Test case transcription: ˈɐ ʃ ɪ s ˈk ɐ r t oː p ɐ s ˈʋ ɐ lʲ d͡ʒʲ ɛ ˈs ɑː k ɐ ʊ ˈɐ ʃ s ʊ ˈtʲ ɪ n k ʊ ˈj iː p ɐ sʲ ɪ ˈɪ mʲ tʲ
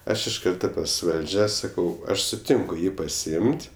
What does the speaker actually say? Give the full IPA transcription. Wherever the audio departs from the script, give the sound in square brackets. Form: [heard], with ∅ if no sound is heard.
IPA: ˈɐ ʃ ɪ [ʃ] ˈk ɐ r t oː p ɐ s ˈʋ ɐ lʲ d͡ʒʲ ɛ ˈs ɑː k ɐ ʊ ˈɐ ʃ s ʊ ˈtʲ ɪ [ŋ] k ʊ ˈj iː p ɐ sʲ ɪ ˈɪ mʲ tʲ